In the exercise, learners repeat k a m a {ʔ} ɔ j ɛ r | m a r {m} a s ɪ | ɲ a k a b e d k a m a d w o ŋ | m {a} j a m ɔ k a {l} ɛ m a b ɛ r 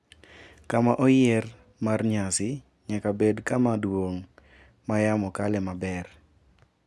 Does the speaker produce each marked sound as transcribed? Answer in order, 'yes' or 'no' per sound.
yes, no, yes, yes

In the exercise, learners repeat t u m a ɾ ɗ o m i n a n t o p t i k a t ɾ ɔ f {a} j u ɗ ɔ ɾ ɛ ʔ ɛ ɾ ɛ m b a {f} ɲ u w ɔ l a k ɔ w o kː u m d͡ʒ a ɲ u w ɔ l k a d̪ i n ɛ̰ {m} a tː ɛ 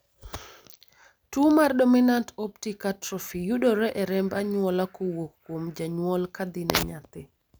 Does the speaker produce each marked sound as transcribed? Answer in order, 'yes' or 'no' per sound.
no, no, no

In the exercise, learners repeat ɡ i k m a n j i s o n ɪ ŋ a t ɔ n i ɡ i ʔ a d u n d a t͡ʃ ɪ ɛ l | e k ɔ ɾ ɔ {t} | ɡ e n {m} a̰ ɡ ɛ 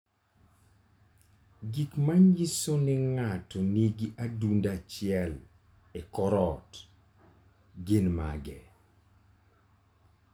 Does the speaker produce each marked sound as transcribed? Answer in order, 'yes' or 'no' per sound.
yes, yes

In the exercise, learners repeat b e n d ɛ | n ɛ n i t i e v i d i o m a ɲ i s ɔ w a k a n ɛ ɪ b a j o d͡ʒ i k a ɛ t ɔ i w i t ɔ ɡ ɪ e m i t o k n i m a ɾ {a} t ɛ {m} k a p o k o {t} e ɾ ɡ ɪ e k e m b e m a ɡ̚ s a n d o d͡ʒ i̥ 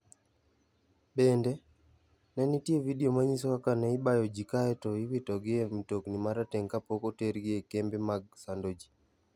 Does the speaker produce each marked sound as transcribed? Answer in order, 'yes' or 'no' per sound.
yes, no, yes

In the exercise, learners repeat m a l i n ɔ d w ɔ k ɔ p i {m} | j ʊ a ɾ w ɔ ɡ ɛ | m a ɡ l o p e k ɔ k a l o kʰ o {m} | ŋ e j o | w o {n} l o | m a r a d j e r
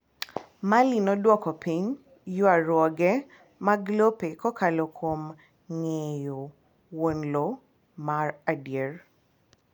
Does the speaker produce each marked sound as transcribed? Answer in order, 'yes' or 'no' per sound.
no, yes, yes

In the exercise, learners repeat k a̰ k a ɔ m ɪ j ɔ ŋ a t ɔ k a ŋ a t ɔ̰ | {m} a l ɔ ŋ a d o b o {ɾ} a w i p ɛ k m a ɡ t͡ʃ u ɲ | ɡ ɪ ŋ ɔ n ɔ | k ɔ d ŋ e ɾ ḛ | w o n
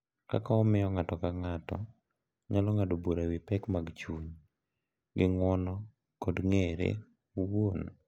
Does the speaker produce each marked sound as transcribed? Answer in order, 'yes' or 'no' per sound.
no, yes

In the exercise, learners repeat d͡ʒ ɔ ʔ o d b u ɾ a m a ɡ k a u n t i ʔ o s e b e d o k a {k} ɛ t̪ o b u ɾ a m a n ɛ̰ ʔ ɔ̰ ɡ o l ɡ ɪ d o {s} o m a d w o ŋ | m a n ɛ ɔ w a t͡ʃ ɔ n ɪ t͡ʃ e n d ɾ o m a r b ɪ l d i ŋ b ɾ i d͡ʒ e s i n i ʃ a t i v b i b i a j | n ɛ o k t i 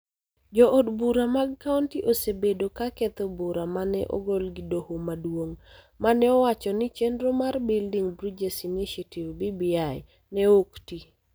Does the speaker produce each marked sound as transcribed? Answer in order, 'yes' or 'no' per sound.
yes, no

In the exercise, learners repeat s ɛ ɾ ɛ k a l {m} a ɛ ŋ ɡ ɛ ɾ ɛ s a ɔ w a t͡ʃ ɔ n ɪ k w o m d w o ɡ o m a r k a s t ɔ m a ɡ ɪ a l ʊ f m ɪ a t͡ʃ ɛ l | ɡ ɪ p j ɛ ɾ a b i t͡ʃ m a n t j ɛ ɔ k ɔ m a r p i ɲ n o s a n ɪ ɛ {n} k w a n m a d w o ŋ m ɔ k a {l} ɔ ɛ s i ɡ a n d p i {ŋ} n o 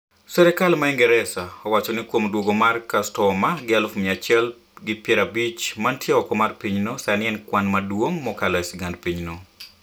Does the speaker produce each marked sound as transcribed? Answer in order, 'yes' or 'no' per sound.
yes, yes, yes, no

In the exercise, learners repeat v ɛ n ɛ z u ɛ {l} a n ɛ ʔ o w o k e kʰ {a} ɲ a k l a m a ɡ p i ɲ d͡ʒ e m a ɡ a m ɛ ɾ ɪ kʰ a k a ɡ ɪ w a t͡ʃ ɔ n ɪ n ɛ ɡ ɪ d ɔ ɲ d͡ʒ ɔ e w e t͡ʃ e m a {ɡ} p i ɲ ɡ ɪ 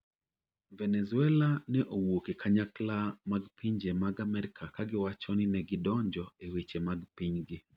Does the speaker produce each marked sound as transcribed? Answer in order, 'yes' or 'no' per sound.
yes, yes, yes

